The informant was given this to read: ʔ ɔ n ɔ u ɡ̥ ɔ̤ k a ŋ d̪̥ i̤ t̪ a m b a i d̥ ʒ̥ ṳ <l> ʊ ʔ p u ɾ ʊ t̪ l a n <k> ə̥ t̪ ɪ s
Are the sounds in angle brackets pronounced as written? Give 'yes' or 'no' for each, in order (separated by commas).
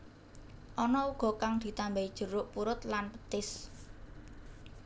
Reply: no, no